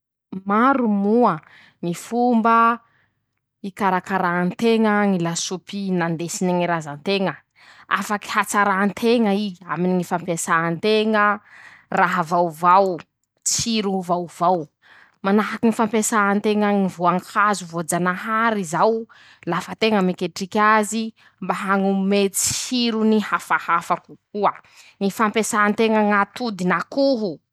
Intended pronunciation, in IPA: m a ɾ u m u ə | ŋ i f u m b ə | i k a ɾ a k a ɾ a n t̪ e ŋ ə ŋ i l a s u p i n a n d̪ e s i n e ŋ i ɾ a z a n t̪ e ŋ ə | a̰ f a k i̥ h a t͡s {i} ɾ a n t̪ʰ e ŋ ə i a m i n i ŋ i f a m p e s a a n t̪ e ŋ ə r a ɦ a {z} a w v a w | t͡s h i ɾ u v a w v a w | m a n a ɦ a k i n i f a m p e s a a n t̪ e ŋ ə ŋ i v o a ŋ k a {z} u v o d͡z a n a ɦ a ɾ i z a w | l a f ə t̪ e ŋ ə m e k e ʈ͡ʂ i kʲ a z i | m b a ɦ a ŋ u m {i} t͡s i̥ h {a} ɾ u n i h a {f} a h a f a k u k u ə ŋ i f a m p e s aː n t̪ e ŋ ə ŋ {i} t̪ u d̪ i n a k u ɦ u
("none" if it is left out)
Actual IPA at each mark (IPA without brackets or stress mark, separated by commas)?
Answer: a, v, z, e, i, f, a